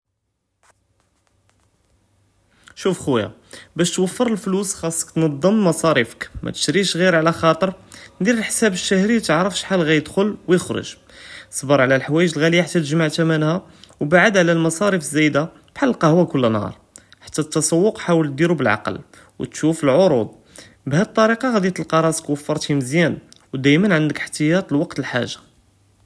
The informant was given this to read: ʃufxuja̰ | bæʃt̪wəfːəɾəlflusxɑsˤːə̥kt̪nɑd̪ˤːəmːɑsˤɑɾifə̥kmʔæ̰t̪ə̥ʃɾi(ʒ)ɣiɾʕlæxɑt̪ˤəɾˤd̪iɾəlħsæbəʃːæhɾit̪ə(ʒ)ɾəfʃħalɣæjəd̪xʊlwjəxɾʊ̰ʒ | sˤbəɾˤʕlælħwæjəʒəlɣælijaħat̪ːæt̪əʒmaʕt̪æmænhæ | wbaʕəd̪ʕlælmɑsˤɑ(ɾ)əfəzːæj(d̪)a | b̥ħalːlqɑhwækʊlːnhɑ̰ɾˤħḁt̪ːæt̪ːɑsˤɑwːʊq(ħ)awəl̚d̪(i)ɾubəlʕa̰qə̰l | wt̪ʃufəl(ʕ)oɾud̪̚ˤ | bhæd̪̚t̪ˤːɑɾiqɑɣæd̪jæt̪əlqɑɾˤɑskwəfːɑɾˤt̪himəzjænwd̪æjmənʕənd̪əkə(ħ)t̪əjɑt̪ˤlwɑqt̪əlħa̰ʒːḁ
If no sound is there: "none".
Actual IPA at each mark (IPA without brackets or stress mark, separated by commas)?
ʃ, ʕ, ɾ, d̪, ħ, i, ʕ, ħ